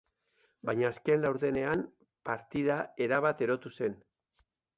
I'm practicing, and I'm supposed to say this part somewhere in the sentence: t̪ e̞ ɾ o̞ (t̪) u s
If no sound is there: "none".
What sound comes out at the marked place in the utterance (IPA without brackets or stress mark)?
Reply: t̪